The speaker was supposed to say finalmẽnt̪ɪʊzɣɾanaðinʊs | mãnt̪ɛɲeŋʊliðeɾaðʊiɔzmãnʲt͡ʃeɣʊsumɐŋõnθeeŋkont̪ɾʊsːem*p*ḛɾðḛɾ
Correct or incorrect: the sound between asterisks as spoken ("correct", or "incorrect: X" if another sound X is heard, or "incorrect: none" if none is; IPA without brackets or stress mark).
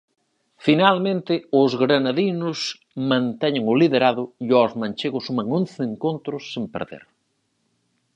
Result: correct